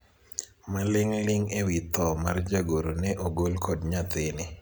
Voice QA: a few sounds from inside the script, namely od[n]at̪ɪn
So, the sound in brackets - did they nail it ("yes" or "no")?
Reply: no